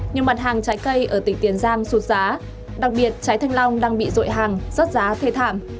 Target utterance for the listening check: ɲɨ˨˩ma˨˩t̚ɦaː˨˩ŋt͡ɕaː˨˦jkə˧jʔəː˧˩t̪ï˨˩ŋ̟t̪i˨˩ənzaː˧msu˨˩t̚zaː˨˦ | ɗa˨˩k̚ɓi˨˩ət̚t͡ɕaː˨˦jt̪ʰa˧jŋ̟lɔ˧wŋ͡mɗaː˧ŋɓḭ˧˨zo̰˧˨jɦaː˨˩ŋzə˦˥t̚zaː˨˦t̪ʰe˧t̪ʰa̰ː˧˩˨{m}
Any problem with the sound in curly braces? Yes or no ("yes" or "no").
no